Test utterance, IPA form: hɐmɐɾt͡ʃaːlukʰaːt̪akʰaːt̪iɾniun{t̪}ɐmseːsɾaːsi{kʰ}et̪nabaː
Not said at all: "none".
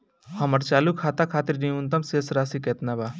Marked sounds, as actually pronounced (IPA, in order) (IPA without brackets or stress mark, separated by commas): t̪, k